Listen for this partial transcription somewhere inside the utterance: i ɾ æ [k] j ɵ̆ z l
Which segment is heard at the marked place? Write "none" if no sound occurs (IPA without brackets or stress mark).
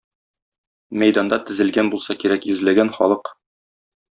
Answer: k